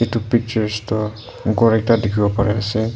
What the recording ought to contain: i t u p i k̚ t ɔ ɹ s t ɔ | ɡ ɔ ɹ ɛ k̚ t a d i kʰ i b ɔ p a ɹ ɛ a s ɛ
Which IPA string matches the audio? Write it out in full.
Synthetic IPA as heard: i t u p i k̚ t͡ʃ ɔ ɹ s t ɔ | ɡ ɔ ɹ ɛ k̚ t a d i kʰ i b ɔ p a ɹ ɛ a s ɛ